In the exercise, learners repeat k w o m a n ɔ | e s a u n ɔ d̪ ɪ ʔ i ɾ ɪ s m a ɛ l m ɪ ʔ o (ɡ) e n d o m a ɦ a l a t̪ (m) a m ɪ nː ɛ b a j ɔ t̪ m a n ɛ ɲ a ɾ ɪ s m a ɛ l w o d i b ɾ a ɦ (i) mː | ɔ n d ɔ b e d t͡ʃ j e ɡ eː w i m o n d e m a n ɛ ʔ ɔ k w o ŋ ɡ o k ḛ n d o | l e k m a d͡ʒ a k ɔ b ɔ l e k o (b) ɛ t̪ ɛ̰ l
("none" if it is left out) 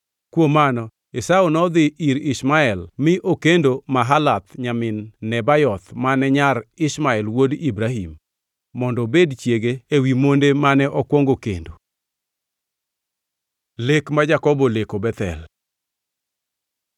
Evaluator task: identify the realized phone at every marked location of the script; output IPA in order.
k, ɲ, i, b

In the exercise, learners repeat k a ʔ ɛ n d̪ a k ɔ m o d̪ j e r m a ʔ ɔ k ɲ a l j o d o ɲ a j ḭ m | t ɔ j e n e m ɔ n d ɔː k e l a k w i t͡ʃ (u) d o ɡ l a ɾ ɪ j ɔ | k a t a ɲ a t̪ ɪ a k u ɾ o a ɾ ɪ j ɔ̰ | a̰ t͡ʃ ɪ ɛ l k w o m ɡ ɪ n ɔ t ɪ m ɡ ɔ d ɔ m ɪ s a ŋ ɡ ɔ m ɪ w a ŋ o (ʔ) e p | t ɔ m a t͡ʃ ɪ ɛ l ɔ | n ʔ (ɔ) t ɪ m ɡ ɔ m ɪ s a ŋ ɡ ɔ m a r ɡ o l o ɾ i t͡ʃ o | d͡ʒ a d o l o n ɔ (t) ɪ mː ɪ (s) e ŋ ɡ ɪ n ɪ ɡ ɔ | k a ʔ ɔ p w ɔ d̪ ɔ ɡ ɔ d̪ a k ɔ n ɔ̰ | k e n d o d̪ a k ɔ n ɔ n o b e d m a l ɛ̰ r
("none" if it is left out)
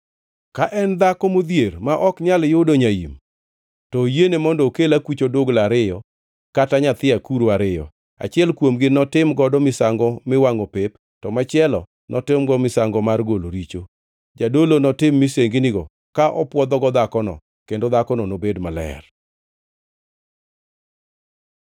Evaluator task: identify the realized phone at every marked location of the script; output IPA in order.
o, p, ɔ, t, s

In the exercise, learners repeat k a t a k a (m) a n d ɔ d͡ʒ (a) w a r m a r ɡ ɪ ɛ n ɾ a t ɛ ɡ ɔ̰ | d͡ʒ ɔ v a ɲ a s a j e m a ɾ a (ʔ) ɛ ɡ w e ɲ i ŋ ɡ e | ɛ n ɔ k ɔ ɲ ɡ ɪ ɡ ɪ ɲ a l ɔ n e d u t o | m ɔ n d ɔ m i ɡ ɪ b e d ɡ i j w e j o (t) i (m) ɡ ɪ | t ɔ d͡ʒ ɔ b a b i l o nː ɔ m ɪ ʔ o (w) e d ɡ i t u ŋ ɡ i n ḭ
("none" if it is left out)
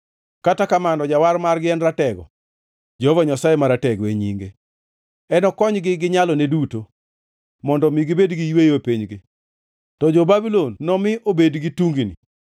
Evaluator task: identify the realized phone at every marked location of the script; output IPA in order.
m, a, t, p, ɲ, b

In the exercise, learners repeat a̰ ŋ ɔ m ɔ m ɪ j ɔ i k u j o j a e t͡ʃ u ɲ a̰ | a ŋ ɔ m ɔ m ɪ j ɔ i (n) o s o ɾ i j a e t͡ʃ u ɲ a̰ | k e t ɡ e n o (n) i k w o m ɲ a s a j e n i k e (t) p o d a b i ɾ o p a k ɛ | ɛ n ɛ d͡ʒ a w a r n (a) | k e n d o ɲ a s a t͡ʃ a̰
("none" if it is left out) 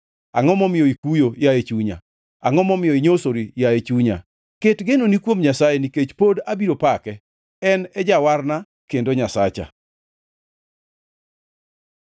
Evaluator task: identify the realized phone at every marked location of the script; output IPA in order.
ɲ, n, t͡ʃ, a

